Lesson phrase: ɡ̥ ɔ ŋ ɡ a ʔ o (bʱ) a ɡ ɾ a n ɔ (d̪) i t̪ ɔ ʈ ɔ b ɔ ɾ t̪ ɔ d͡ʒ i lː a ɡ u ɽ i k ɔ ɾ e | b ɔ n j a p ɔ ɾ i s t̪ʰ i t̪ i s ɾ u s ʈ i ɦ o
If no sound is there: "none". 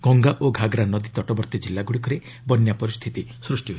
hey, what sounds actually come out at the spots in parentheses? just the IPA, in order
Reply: ɡʱ, d̪

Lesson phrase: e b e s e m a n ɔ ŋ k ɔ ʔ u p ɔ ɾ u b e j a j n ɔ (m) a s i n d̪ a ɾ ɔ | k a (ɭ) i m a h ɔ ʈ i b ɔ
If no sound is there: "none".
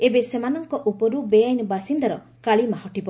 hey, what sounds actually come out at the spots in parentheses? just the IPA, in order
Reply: b, ɭ

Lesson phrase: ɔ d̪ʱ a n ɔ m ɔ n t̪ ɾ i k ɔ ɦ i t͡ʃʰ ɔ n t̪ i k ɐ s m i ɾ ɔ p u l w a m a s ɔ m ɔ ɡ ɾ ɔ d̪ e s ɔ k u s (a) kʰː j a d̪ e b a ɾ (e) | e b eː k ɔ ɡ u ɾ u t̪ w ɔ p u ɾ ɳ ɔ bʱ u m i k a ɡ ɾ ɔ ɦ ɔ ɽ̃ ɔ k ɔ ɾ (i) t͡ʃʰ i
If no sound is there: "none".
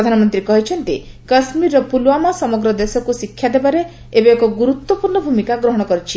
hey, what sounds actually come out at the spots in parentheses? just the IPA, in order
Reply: i, e, i

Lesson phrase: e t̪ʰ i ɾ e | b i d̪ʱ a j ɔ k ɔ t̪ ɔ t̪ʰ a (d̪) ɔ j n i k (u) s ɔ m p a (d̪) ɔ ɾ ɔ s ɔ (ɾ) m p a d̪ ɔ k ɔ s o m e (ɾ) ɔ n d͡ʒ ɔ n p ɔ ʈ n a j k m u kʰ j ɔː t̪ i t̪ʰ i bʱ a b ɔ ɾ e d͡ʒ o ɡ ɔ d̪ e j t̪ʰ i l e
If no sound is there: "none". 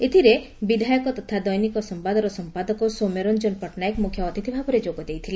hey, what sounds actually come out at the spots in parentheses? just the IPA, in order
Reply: d̪, ɔ, d̪, none, ɾ

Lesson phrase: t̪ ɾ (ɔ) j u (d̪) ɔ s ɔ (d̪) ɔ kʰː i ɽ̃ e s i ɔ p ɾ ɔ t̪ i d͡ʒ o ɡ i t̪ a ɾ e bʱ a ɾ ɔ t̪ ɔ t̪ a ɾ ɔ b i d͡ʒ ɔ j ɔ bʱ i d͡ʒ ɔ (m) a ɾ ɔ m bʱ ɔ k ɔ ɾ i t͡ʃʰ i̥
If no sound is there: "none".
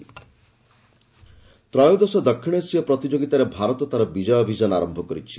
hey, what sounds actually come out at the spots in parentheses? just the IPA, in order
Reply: ɔ, d̪, d̪, n

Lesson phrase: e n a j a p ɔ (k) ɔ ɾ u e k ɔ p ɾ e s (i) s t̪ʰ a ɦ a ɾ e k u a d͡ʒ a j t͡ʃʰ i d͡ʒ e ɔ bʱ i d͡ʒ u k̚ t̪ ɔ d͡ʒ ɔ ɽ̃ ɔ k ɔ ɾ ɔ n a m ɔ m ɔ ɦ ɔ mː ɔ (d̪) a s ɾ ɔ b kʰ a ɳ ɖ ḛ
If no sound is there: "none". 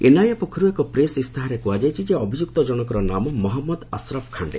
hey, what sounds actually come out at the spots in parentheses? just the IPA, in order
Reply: kʰ, i, d̪

